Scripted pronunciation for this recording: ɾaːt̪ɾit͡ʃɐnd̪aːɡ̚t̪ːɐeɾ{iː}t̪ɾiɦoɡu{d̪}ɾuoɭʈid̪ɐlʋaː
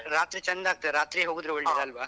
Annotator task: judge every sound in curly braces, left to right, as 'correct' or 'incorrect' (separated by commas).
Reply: incorrect, correct